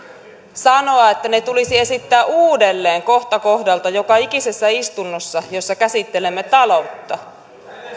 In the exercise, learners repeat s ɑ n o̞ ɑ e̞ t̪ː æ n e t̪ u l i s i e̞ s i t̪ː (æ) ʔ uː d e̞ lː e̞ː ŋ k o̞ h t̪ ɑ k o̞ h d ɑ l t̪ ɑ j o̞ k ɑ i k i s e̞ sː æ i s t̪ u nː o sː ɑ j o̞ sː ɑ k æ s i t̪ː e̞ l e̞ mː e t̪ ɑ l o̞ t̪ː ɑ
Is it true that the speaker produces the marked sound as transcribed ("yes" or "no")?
no